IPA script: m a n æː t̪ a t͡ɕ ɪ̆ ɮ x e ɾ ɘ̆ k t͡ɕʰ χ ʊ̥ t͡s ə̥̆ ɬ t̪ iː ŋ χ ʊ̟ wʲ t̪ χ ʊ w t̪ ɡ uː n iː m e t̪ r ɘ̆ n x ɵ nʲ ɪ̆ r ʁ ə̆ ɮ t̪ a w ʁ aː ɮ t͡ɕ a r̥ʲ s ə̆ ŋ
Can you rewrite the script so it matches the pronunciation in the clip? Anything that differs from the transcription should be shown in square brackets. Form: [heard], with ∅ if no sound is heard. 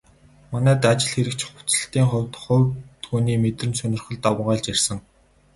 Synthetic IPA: m a n æː t̪ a t͡ɕ ɪ̆ ɮ x e ɾ ɘ̆ k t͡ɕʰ χ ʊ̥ t͡s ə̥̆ ɬ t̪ iː ŋ χ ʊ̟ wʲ t̪ χ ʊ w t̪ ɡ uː n iː m e t̪ r ɘ̆ n [s] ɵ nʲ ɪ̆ r [χ] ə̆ ɮ t̪ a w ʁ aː ɮ t͡ɕ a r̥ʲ s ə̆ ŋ